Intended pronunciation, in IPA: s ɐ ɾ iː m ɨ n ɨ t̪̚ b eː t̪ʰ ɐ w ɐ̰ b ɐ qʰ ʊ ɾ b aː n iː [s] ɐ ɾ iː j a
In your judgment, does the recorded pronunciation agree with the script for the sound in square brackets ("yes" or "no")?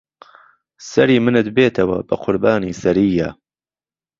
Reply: yes